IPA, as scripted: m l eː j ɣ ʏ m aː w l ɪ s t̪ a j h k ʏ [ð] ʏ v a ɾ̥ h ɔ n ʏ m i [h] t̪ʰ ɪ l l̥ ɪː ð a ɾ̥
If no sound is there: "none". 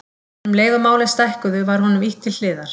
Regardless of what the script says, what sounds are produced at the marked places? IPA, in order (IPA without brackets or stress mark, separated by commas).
ð, h